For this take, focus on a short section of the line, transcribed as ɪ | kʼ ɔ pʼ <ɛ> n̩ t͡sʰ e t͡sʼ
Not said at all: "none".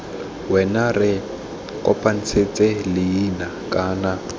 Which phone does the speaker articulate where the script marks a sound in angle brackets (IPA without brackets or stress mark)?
a